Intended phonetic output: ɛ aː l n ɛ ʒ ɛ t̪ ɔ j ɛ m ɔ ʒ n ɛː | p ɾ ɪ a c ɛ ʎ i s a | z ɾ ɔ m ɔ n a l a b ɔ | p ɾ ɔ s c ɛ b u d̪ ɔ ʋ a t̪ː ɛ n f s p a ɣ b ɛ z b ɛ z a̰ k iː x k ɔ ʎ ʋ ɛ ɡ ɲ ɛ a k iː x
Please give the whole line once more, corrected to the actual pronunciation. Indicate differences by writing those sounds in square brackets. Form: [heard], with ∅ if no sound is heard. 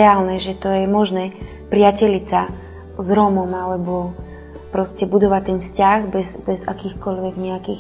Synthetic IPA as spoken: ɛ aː l n ɛ ʒ ɛ t̪ ɔ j ɛ m ɔ ʒ n ɛː | p ɾ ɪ a c ɛ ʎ i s a | z ɾ ɔ m ɔ [m] a l [ɛ] b ɔ | p ɾ ɔ s c ɛ b u d̪ ɔ ʋ a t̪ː ɛ n f s [c] a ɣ b ɛ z b ɛ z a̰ k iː x k ɔ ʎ ʋ ɛ ɡ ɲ ɛ a k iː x